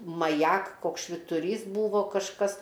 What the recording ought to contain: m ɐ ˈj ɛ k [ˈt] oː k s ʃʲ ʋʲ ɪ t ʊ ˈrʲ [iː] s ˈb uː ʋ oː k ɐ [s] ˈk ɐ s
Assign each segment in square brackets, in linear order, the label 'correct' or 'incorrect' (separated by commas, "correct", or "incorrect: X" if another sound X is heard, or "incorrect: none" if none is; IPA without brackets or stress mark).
incorrect: k, correct, incorrect: ʃ